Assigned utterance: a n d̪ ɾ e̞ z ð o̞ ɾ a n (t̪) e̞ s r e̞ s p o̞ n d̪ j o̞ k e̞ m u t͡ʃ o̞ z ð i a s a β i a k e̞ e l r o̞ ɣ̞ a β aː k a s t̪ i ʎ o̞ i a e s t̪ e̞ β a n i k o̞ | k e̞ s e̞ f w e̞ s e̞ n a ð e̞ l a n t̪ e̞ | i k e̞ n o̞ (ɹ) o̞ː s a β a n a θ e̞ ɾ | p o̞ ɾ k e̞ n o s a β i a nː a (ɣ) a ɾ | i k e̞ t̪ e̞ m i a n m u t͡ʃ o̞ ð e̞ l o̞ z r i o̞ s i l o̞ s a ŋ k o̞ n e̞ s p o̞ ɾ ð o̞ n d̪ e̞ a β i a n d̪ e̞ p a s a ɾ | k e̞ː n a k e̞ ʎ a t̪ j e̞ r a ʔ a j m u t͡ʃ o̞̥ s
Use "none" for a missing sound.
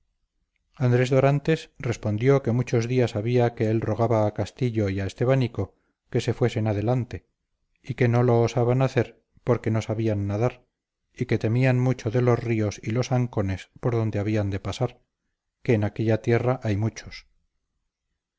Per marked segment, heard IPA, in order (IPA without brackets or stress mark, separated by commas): t̪, l, ð